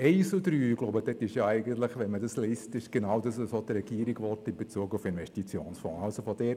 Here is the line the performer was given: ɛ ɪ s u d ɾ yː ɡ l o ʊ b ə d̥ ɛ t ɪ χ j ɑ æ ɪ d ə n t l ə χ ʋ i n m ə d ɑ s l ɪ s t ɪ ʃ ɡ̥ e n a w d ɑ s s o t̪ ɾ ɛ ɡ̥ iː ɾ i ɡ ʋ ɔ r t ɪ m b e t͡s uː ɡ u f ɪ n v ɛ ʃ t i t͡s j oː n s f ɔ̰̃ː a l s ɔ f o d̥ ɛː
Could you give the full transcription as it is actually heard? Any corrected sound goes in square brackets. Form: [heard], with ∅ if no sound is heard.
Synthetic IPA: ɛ ɪ s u d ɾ yː ɡ l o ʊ b ə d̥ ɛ t ɪ [ʃ] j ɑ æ ɪ [ɡ] ə n t l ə χ ʋ [ɛ] n m ə d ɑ s l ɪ s t ɪ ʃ ɡ̥ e n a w d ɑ s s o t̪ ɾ ɛ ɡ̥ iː ɾ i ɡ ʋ ɔ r t ɪ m b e t͡s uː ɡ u f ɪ n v ɛ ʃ t i t͡s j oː n s f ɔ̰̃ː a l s [o] f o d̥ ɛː